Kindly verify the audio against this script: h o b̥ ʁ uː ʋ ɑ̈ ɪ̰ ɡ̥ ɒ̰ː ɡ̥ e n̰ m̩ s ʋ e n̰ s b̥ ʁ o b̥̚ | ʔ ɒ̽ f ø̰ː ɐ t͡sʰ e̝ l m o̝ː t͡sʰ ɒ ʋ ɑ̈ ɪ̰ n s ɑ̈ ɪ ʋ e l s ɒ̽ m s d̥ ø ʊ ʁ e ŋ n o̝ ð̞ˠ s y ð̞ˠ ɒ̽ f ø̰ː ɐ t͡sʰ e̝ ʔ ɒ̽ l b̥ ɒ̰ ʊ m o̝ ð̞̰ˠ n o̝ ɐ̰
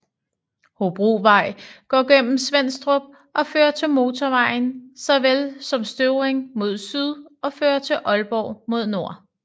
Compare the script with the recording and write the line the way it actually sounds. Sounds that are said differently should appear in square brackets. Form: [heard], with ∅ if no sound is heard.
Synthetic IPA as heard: h o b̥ ʁ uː ʋ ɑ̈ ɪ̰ ɡ̥ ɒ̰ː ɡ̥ e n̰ m̩ s ʋ e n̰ s [d̥] ʁ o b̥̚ | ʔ ɒ̽ f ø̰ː ɐ t͡sʰ e̝ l m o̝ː t͡sʰ ɒ ʋ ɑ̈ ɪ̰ n s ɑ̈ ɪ ʋ e l s ɒ̽ m s d̥ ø ʊ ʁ e ŋ [m] o̝ ð̞ˠ s y ð̞ˠ ɒ̽ f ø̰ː ɐ t͡sʰ e̝ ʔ ɒ̽ l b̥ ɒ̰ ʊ m o̝ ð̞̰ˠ n o̝ ɐ̰